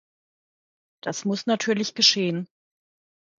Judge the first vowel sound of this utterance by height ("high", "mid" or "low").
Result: low